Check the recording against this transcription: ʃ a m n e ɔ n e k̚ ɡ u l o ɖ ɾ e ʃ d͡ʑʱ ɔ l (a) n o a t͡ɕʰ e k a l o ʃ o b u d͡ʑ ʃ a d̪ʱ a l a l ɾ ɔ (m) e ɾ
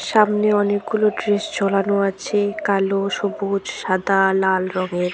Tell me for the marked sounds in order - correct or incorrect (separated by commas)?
correct, incorrect